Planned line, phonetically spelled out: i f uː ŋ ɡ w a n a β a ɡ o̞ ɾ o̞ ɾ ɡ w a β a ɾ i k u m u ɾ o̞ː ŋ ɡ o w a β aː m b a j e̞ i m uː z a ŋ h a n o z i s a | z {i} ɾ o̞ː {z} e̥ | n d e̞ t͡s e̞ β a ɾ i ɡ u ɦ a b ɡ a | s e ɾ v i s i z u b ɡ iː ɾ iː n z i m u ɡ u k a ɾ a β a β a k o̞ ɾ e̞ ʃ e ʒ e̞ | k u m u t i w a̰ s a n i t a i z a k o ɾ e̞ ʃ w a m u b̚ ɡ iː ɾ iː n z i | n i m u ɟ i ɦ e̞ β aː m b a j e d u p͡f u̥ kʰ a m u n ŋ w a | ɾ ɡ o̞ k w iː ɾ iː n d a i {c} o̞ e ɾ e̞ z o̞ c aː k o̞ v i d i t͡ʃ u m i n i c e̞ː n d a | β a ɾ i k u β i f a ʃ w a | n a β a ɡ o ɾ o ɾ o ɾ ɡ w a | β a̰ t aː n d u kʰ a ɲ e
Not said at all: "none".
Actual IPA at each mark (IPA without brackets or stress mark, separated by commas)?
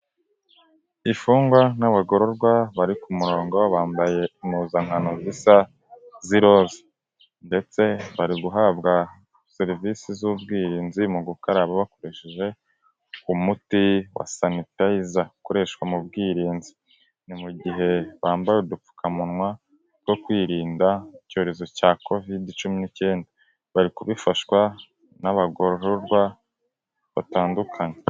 i, z, c